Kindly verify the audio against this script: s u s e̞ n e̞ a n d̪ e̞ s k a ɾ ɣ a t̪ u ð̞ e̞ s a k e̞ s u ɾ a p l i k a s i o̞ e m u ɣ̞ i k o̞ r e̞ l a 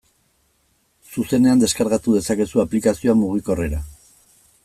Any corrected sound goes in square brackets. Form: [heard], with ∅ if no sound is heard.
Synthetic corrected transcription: s u s e̞ n e̞ a n d̪ e̞ s k a ɾ ɣ a t̪ u ð̞ e̞ s a k e̞ s u [∅] a p l i k a s i o̞ [a] m u ɣ̞ i k o̞ r e̞ [ɾ] a